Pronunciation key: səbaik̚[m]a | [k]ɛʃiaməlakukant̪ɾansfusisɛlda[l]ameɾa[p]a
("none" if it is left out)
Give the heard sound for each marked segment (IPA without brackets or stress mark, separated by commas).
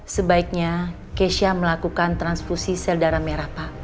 ɲ, k, ɾ, p